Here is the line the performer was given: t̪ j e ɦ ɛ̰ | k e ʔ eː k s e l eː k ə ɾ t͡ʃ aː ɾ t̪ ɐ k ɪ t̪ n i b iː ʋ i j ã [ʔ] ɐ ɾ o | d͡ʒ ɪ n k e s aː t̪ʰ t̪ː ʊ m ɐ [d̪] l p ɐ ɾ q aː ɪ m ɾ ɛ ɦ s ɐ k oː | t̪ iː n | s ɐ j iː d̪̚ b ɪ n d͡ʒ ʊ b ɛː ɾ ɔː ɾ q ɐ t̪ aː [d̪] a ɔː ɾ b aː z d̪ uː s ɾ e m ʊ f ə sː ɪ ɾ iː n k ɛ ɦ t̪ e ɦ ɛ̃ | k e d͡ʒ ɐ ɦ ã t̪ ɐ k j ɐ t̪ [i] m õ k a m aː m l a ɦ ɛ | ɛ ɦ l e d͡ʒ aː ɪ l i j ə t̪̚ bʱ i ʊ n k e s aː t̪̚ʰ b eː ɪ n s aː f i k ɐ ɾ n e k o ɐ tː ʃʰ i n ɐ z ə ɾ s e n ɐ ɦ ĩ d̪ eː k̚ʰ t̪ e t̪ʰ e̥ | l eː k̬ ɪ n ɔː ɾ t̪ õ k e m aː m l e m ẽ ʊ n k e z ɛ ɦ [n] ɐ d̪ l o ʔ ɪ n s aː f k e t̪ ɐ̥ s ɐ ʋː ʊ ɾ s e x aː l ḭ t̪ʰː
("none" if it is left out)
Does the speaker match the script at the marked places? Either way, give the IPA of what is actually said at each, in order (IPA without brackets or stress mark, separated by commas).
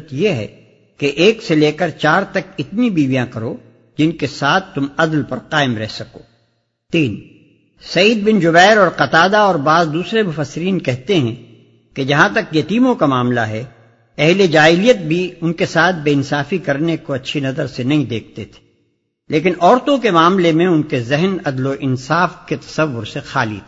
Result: k, d̪, d̪, iː, n